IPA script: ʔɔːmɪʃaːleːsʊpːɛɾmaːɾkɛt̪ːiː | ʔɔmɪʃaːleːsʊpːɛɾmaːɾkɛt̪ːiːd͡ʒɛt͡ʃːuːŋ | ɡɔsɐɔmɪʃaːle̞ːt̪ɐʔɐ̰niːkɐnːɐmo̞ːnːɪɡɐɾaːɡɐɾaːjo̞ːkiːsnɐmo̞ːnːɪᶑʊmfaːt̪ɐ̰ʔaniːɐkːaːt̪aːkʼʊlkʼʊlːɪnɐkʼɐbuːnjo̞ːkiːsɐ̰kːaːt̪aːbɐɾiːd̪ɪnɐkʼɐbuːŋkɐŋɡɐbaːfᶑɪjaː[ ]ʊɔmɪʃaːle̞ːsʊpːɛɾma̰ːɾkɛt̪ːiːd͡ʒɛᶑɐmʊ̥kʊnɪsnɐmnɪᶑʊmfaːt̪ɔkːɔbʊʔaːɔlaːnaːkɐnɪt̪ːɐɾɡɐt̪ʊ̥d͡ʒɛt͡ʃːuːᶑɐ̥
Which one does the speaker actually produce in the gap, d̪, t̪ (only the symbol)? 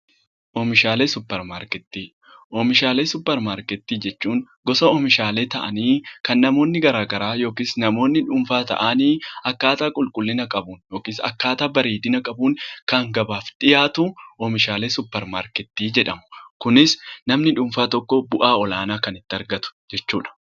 t̪